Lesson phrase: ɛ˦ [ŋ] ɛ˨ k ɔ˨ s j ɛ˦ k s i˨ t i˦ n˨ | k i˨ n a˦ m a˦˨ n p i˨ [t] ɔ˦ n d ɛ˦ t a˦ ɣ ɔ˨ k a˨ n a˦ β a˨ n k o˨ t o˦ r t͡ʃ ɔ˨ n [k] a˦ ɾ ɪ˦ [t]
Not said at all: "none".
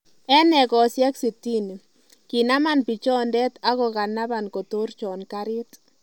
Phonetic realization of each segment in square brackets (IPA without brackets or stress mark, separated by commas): n, t͡ʃ, k, t